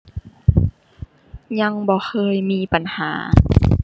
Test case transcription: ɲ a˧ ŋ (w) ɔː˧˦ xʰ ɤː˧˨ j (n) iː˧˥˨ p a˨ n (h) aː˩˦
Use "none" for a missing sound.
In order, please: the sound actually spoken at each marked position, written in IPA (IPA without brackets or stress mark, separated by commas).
b, m, h